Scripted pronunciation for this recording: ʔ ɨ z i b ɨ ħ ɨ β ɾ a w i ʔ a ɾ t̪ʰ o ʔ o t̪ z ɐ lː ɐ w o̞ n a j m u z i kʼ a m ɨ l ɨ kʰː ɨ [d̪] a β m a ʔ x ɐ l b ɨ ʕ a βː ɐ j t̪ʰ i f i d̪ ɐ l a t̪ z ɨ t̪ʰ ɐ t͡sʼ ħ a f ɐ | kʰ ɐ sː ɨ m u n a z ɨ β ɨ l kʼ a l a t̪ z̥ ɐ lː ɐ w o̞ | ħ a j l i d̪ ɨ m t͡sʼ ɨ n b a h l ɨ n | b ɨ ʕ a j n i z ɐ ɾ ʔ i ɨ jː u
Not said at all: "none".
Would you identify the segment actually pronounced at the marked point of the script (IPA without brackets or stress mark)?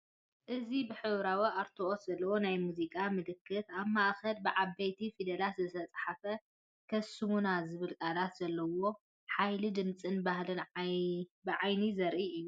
t̪